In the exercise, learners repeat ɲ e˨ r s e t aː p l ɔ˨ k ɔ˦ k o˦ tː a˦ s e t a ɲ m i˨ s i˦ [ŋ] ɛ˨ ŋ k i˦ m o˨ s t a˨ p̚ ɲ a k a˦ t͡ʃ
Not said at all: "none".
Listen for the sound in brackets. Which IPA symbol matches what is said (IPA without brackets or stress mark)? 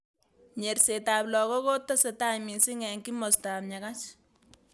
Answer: ŋ